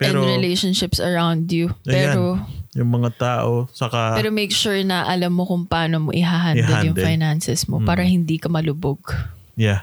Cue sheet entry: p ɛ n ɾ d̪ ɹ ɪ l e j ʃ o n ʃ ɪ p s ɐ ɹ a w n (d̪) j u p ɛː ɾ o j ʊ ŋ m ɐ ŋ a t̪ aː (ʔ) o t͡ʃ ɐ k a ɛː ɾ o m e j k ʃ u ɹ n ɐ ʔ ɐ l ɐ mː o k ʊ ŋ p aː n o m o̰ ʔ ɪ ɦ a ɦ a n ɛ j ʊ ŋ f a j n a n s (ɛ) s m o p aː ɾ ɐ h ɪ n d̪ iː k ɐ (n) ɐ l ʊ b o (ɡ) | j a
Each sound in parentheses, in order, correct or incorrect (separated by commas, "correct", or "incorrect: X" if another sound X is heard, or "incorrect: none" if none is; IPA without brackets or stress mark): correct, correct, correct, incorrect: m, correct